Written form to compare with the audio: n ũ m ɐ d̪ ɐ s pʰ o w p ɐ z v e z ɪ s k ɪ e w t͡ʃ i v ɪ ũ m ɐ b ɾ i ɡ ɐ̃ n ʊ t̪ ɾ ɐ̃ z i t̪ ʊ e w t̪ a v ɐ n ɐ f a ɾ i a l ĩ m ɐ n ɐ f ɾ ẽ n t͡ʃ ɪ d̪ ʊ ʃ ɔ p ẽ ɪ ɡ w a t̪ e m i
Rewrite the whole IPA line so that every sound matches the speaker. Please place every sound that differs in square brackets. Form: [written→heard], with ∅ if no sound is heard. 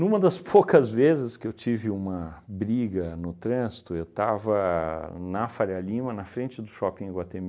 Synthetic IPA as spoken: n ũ m ɐ d̪ ɐ s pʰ o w [p→k] ɐ z v e z ɪ s k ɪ e w t͡ʃ i v ɪ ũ m ɐ b ɾ i ɡ [ɐ̃→ɐ] n ʊ t̪ ɾ ɐ̃ z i t̪ ʊ e w t̪ a v ɐ n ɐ f a ɾ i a l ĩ m ɐ n ɐ f ɾ ẽ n t͡ʃ ɪ d̪ ʊ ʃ ɔ p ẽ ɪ ɡ w a t̪ e m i